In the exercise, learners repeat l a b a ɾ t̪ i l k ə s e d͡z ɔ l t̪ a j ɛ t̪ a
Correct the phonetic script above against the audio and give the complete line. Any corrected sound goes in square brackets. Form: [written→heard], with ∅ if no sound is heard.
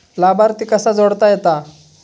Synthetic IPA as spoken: l a b a ɾ t̪ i [l→∅] k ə s [e→a] d͡z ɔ [l→ɽ] t̪ a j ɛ t̪ a